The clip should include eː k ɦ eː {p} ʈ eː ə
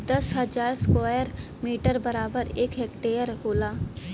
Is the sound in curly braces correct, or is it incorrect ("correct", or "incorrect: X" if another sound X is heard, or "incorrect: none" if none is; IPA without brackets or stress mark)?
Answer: incorrect: k